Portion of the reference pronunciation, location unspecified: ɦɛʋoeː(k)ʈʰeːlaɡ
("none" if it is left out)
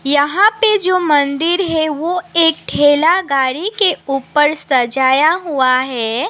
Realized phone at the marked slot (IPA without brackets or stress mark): k